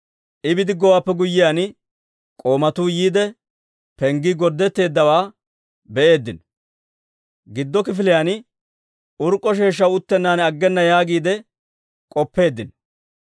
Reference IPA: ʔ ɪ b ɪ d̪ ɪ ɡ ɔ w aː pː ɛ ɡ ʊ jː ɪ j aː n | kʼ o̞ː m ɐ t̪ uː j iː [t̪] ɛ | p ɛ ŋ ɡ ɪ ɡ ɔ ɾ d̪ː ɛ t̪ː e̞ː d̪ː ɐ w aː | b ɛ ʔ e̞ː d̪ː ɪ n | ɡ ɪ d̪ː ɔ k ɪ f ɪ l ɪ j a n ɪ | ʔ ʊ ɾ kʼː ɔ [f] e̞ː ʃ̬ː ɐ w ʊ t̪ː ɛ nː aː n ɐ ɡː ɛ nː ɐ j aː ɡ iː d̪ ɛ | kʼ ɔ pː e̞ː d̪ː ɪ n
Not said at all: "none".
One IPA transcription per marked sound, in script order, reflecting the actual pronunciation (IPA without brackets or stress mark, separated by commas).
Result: d̪, ʃ